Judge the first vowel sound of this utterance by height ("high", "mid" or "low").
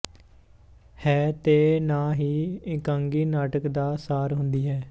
mid